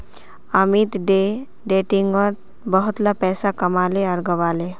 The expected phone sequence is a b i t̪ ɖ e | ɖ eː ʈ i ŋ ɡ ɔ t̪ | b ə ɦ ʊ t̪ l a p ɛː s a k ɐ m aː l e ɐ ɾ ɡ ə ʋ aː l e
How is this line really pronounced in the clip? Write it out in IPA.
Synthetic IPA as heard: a m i t̪ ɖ e | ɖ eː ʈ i ŋ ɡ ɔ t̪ | b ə ɦ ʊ t̪ l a p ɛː s a k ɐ m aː l e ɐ ɾ ɡ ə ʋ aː l e